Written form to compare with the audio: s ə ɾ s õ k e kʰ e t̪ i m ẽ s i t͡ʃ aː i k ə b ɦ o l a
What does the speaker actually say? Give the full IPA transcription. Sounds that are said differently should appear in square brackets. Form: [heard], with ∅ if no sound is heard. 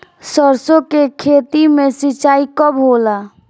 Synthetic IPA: s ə ɾ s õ k e kʰ e t̪ i m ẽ s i t͡ʃ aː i k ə b ɦ o l a

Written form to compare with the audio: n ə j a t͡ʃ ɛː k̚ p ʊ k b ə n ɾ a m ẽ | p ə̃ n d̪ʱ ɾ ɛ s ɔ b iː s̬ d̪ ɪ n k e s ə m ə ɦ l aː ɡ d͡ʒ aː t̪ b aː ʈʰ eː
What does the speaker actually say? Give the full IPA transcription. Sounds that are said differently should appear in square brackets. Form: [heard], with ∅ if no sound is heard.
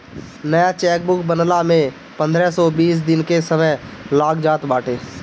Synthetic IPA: n ə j a t͡ʃ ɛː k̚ [b] ʊ k b ə n [l] a m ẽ | p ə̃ n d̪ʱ ɾ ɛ s ɔ b iː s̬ d̪ ɪ n k e s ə m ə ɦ l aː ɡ d͡ʒ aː t̪ b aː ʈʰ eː

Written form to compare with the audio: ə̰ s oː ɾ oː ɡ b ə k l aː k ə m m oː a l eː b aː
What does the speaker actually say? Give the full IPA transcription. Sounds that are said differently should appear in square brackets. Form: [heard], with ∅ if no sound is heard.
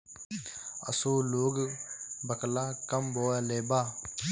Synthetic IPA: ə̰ s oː [l] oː ɡ b ə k l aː k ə m [b] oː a l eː b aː

